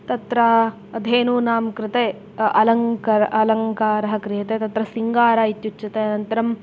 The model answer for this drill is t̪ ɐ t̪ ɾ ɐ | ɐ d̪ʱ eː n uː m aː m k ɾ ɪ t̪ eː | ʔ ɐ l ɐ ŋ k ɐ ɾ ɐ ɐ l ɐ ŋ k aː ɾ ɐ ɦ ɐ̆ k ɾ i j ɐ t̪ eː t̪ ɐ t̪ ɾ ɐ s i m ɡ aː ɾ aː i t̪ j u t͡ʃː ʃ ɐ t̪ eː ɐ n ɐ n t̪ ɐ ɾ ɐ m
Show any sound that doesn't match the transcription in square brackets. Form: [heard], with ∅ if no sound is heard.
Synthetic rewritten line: t̪ ɐ t̪ ɾ ɐ | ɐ d̪ʱ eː n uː [n] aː m k ɾ ɪ t̪ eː | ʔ ɐ l ɐ ŋ k ɐ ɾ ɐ ɐ l ɐ ŋ k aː ɾ ɐ ɦ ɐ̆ k ɾ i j ɐ t̪ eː t̪ ɐ t̪ ɾ ɐ s i [ŋ] ɡ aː ɾ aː i t̪ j u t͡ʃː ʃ ɐ t̪ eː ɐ n ɐ n t̪ ɐ ɾ ɐ m

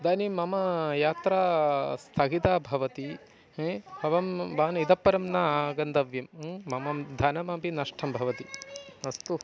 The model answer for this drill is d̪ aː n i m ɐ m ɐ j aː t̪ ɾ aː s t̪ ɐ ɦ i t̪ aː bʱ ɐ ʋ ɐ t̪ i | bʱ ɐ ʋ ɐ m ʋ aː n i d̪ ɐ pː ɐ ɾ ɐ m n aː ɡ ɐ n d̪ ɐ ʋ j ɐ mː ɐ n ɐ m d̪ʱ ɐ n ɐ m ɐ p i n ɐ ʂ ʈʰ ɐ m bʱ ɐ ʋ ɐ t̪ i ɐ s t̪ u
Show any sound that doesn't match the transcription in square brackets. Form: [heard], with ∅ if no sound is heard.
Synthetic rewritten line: d̪ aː n i m ɐ m ɐ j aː t̪ ɾ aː s [t̪ʰ] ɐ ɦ i t̪ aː bʱ ɐ ʋ ɐ t̪ i | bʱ ɐ ʋ ɐ m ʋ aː n i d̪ ɐ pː ɐ ɾ ɐ m n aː ɡ ɐ n d̪ ɐ ʋ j ɐ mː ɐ [m] ɐ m d̪ʱ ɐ n ɐ m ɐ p i n ɐ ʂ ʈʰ ɐ m bʱ ɐ ʋ ɐ t̪ i ɐ s t̪ u

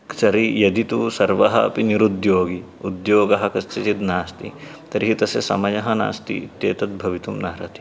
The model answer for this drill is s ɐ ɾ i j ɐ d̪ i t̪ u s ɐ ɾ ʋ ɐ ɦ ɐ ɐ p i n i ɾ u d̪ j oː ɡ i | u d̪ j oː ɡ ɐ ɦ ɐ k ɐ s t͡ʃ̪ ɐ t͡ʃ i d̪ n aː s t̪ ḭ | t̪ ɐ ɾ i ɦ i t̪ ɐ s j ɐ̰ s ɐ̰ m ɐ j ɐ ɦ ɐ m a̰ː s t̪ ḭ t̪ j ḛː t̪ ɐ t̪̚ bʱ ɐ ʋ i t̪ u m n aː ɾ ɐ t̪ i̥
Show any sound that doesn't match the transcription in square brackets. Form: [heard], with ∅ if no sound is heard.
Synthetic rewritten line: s ɐ ɾ i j ɐ d̪ i t̪ u s ɐ ɾ ʋ ɐ ɦ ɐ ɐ p i n i ɾ u d̪ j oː ɡ i | u d̪ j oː ɡ ɐ ɦ ɐ k ɐ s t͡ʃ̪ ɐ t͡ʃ i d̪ n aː s t̪ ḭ | t̪ ɐ ɾ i ɦ i t̪ ɐ s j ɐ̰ s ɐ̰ m ɐ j ɐ ɦ ɐ [n] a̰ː s t̪ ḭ t̪ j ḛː t̪ ɐ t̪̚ bʱ ɐ ʋ i t̪ u m n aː ɾ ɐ t̪ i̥

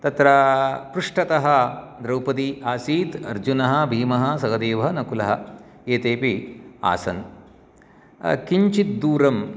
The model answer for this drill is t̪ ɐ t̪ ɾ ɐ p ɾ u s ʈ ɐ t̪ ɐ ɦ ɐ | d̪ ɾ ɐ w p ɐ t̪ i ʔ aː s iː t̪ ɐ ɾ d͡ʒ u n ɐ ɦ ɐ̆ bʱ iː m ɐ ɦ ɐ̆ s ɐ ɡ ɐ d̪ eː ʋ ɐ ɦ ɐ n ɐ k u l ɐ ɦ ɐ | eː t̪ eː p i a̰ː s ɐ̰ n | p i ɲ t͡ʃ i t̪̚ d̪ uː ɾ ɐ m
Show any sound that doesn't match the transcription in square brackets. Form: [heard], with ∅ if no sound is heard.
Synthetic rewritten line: t̪ ɐ t̪ ɾ ɐ p ɾ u [ʂ] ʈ ɐ t̪ ɐ ɦ ɐ | d̪ ɾ ɐ w p ɐ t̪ i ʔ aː s iː t̪ ɐ ɾ d͡ʒ u n ɐ ɦ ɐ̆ bʱ iː m ɐ ɦ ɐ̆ s ɐ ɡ ɐ d̪ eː ʋ ɐ ɦ ɐ n ɐ k u l ɐ ɦ ɐ | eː t̪ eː p i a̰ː s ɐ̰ n | [k] i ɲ t͡ʃ i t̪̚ d̪ uː ɾ ɐ m

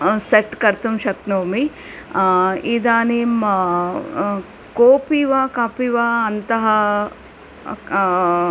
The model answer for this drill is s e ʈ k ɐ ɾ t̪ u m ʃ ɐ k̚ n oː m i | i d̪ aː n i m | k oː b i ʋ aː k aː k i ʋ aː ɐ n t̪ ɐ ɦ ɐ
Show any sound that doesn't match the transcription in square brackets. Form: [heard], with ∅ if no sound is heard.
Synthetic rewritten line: s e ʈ k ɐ ɾ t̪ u m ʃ ɐ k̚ n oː m i | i d̪ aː n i m | k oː [p] i ʋ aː k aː [p] i ʋ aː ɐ n t̪ ɐ ɦ ɐ

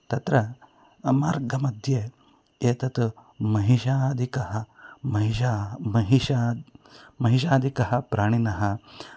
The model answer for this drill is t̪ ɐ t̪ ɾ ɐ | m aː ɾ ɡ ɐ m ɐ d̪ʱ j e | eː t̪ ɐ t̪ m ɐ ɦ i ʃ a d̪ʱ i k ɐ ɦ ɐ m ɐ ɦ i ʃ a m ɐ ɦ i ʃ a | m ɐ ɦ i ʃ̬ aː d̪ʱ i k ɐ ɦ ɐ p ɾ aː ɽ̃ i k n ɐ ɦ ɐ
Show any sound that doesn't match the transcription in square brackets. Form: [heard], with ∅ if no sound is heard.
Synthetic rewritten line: t̪ ɐ t̪ ɾ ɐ | m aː ɾ ɡ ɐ m ɐ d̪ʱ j e | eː t̪ ɐ t̪ m ɐ ɦ i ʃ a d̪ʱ i k ɐ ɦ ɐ m ɐ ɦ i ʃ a m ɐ ɦ i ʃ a | m ɐ ɦ i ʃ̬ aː d̪ʱ i k ɐ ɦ ɐ p ɾ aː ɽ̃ i [∅] n ɐ ɦ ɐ

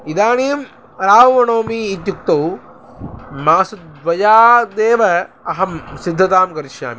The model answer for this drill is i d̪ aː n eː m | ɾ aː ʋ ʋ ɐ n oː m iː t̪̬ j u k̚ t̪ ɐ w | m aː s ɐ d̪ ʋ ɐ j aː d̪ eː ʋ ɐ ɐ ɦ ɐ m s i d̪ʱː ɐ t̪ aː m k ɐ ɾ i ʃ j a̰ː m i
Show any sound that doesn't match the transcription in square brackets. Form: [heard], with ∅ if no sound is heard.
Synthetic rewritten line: i d̪ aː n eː m | ɾ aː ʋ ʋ ɐ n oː m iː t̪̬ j u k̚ t̪ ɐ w | m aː s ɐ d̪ ʋ ɐ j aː d̪ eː ʋ ɐ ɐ ɦ ɐ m s i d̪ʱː ɐ t̪ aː m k ɐ ɾ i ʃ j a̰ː m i

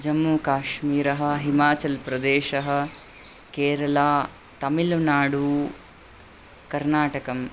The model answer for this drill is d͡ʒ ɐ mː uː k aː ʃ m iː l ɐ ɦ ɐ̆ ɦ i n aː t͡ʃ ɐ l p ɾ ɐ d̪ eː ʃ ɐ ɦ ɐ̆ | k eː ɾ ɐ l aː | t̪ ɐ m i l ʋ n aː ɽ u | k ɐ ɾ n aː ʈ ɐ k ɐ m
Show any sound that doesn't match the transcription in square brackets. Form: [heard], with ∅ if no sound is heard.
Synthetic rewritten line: d͡ʒ ɐ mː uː k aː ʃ m iː [ɾ] ɐ ɦ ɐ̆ ɦ i [m] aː t͡ʃ ɐ l p ɾ ɐ d̪ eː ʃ ɐ ɦ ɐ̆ | k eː ɾ ɐ l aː | t̪ ɐ m i l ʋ n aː ɽ u | k ɐ ɾ n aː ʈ ɐ k ɐ m

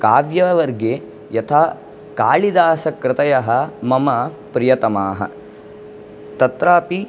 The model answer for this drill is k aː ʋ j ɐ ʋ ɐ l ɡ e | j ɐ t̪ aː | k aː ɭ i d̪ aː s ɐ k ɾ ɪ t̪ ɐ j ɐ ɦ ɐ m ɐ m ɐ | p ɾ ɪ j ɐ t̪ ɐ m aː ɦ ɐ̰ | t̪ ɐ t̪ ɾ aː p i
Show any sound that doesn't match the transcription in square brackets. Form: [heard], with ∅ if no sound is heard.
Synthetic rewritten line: k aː ʋ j ɐ ʋ ɐ [ɾ] ɡ e | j ɐ [t̪ʰ] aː | k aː ɭ i d̪ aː s ɐ k ɾ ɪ t̪ ɐ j ɐ ɦ ɐ m ɐ m ɐ | p ɾ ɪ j ɐ t̪ ɐ m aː ɦ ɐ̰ | t̪ ɐ t̪ ɾ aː p i

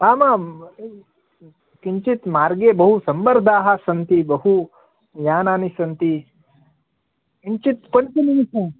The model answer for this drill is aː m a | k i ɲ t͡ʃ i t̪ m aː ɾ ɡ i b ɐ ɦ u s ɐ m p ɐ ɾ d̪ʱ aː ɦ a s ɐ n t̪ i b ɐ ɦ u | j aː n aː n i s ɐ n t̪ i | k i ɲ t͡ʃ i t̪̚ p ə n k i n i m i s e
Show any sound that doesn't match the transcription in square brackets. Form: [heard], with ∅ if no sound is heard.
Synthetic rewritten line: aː m a | k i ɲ t͡ʃ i t̪ m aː ɾ ɡ [e] b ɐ ɦ u s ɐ m [b] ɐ ɾ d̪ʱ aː ɦ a s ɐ n t̪ i b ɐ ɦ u | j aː n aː n i s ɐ n t̪ i | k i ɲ t͡ʃ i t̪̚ p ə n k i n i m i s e

